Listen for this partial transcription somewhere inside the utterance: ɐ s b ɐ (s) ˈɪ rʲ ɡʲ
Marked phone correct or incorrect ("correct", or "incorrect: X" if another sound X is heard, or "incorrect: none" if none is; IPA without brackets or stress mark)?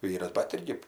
incorrect: t